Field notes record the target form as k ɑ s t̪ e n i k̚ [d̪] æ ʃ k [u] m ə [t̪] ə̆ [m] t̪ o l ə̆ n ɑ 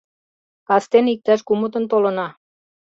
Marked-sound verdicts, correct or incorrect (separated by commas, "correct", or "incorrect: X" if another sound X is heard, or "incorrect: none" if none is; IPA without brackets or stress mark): incorrect: t̪, correct, correct, incorrect: n